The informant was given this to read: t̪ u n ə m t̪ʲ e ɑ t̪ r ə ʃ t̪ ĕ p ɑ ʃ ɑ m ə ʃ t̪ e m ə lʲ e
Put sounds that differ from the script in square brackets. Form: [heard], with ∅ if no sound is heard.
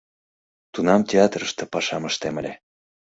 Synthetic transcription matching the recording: t̪ u n [ɑ] m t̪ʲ e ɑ t̪ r ə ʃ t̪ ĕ p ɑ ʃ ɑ m ə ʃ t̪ e m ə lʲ e